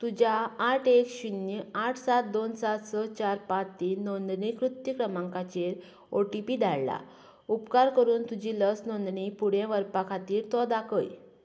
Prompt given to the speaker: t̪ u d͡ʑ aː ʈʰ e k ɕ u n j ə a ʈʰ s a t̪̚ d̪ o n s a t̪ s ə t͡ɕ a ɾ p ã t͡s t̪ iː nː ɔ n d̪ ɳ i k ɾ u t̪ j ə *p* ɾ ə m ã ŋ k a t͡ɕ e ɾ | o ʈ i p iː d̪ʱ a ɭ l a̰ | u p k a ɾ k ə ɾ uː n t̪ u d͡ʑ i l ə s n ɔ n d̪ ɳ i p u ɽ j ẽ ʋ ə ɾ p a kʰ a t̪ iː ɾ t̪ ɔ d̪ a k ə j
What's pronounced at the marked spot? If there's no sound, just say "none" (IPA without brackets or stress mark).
k